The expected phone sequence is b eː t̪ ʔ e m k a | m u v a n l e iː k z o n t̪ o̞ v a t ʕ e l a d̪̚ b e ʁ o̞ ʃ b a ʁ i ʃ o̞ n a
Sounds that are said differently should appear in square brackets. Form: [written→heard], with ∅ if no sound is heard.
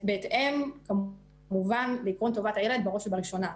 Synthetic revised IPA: b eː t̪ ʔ e m k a | m u v a n l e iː k [z→ʁ] o n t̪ o̞ v a t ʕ e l [a→e] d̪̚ b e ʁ o̞ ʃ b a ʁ i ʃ o̞ n a

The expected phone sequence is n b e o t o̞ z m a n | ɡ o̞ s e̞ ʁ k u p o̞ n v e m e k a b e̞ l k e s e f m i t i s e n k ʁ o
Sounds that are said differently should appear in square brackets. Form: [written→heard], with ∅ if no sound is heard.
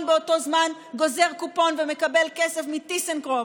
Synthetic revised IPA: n b e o t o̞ z m a n | ɡ o̞ [s→z] e̞ ʁ k u p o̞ n v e m e k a b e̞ l k e s e f m i t i s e n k ʁ o

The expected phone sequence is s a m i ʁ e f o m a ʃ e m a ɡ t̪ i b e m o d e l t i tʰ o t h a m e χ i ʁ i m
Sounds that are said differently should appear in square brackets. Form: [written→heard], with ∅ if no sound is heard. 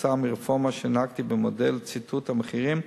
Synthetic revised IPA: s a m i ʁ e f o m a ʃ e [m→n] a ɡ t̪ i b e m o d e l [t→t͡s] i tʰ [o→u] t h a m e χ i ʁ i m

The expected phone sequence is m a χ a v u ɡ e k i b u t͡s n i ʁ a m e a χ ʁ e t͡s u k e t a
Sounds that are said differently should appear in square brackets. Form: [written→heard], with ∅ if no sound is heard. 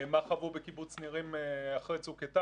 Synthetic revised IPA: m a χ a v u [ɡ→b] e k i b u t͡s n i ʁ [a→i] m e a χ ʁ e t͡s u k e t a

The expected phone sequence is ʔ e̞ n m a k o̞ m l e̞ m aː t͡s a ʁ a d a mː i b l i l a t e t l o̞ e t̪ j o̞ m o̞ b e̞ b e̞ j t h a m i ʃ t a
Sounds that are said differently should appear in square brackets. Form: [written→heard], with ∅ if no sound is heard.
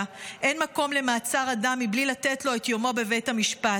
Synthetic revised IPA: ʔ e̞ n m a k o̞ m l e̞ m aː t͡s a ʁ a d a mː i b l i l a t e t l o̞ e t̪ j o̞ m o̞ b e̞ [b→v] e̞ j t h a m i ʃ [t→p] a

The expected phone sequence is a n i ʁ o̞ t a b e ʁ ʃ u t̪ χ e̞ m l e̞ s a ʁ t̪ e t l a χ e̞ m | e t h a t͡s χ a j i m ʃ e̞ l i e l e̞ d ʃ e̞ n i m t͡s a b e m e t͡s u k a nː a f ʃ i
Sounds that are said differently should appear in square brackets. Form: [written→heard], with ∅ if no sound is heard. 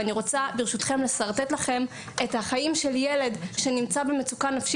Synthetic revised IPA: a n i ʁ o̞ [t→t͡s] a b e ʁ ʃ u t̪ χ e̞ m l e̞ s a ʁ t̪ e t l a χ e̞ m | e t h a [t͡s→∅] χ a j i m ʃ e̞ l [i→j] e l e̞ d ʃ e̞ n i m t͡s a b e m e t͡s u k a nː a f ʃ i

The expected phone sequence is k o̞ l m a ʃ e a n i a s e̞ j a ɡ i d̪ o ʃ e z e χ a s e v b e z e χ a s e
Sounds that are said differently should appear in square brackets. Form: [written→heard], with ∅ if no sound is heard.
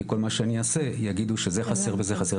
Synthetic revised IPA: k o̞ l m a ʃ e a n i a s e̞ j a ɡ i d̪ [o→u] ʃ e z e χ a s e [v→ʁ] b e z e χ a s e

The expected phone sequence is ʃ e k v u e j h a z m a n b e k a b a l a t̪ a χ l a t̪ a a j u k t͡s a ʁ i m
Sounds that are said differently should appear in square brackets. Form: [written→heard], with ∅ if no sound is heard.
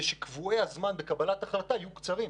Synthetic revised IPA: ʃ e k v u e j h a z m a n b e k a b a l a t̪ a χ l a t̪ a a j u k t͡s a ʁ i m

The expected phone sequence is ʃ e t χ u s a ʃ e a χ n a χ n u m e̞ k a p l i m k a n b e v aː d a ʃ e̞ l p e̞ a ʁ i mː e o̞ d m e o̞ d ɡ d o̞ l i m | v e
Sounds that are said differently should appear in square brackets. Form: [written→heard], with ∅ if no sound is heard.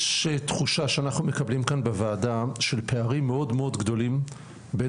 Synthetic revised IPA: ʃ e t χ u [s→ʃ] a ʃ e a [χ→∅] n a χ n u m e̞ k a [p→b] l i m k a n b e v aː d a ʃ e̞ l p e̞ a ʁ i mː e o̞ d m e o̞ d ɡ d o̞ l i m | [v→b] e

